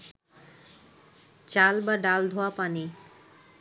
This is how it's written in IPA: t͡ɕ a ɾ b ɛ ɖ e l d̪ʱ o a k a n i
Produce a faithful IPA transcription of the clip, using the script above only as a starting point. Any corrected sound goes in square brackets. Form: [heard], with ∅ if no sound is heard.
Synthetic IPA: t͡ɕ a [l] b [a] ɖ [a] l d̪ʱ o a [p] a n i